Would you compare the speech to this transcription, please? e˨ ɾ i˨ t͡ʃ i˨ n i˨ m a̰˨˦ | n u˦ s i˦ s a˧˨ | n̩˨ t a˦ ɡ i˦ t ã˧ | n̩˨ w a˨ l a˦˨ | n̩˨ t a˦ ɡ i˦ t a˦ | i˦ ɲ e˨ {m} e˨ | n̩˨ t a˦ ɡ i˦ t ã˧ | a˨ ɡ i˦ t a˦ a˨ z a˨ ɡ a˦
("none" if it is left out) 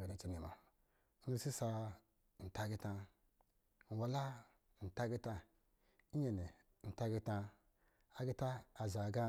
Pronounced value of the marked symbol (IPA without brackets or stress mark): n